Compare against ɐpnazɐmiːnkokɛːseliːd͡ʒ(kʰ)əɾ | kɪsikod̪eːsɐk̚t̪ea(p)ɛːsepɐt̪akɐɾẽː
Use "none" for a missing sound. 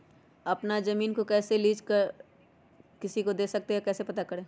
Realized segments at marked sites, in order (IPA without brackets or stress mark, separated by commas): k, k